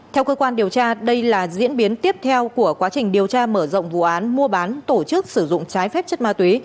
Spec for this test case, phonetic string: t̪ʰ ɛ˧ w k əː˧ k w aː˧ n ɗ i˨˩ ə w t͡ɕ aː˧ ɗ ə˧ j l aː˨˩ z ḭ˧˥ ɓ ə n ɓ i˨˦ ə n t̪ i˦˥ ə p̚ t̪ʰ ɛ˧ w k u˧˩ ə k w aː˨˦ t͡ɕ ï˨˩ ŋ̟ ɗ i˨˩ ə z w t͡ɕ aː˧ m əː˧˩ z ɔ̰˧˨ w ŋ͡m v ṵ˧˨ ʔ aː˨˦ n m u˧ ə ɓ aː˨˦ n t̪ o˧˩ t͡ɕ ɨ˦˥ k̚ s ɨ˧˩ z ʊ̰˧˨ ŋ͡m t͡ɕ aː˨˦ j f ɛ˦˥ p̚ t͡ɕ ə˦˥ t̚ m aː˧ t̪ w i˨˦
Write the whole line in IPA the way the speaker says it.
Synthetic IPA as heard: t̪ʰ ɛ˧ w k əː˧ k w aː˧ n ɗ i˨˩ ə w t͡ɕ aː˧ ɗ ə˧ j l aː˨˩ z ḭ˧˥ ə n ɓ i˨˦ ə n t̪ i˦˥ ə p̚ t̪ʰ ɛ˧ w k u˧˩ ə k w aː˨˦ t͡ɕ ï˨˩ ŋ̟ ɗ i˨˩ ə w t͡ɕ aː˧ m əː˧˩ z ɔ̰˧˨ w ŋ͡m v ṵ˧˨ ʔ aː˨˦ n m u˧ ə ɓ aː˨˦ n t̪ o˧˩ t͡ɕ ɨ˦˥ k̚ s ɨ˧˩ z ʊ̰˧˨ ŋ͡m t͡ɕ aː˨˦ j f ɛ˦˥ p̚ t͡ɕ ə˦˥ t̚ m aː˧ t̪ w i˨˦